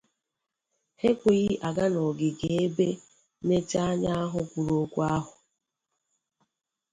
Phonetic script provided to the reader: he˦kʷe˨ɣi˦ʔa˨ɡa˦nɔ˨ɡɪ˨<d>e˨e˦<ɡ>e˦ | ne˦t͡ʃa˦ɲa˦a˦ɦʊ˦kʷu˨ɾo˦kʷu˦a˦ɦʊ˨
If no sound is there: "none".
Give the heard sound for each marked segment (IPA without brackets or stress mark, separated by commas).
ɡ, b